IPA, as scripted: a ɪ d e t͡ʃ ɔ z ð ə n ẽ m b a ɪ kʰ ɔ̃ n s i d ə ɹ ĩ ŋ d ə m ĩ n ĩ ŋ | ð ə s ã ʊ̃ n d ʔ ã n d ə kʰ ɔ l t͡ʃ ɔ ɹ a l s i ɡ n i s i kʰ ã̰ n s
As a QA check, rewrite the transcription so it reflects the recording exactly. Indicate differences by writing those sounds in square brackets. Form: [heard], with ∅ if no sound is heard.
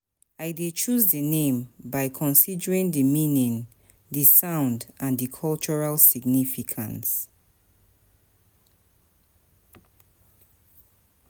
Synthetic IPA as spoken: a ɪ d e t͡ʃ [u] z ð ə n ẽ m b a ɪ kʰ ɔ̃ n s i d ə ɹ ĩ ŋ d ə m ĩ n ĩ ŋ | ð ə s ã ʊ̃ n d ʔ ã n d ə kʰ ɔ l t͡ʃ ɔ ɹ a l s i ɡ n i [f] i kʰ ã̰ n s